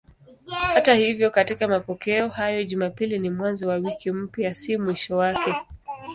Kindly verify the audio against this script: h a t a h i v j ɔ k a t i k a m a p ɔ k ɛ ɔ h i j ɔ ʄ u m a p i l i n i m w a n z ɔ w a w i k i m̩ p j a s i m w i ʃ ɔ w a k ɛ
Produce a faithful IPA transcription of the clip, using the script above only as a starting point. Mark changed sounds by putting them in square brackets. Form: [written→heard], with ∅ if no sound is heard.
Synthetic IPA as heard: h a t a h i v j ɔ k a t i k a m a p ɔ k ɛ ɔ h [i→a] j ɔ ʄ u m a p i l i n i m w a n z ɔ w a w i k i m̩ p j a s i m w i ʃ ɔ w a k ɛ